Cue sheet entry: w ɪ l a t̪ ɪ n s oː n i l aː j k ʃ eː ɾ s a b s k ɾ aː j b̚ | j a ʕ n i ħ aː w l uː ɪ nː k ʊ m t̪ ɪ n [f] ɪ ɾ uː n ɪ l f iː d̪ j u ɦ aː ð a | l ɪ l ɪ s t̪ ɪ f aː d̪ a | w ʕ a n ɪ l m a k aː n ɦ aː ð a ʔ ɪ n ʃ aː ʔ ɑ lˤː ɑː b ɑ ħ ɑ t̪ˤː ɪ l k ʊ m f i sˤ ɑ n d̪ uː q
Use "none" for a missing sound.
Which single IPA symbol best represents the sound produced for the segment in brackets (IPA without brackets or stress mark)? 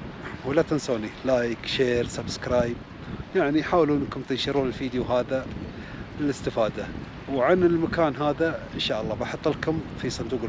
ʃ